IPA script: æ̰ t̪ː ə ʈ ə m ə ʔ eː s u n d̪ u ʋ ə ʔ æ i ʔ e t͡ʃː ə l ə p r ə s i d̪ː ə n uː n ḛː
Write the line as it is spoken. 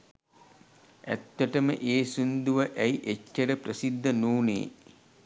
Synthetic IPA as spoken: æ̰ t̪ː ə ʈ ə m ə ʔ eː s u n d̪ u ʋ ə ʔ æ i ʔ e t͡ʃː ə ɾ ə p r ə s i d̪ː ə n uː n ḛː